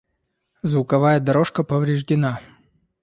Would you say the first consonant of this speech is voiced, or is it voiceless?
voiced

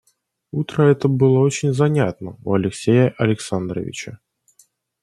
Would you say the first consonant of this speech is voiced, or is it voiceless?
voiceless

